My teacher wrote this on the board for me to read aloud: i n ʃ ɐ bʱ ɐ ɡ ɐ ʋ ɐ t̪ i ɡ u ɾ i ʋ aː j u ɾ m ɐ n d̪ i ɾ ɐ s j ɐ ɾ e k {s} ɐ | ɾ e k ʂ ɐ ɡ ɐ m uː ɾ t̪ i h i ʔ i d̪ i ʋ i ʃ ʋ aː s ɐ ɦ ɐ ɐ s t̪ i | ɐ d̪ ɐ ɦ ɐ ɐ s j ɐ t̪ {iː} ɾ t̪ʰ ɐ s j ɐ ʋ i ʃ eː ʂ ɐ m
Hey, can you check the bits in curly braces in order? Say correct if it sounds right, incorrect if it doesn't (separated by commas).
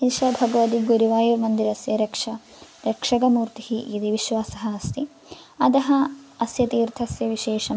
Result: incorrect, correct